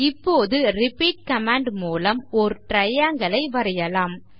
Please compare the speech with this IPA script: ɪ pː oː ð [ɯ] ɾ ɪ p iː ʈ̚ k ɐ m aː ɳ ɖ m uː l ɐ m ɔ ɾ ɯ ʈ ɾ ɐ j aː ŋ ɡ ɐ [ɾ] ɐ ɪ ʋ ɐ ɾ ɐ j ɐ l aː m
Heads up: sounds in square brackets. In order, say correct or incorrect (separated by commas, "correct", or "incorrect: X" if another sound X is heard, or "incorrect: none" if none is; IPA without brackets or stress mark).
correct, incorrect: ɭ